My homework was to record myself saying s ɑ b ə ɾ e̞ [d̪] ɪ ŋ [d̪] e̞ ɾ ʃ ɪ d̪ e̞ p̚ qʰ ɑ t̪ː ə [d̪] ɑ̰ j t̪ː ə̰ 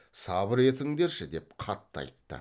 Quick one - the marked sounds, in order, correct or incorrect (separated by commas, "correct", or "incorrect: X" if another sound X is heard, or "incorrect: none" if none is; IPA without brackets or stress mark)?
incorrect: t̪, correct, incorrect: none